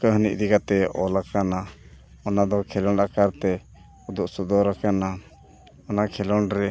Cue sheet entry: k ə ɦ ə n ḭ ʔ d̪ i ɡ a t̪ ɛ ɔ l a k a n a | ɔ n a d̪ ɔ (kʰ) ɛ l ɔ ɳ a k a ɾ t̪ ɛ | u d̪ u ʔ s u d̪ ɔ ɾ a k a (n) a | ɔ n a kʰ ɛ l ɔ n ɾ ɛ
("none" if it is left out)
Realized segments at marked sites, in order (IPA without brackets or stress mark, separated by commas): kʰ, n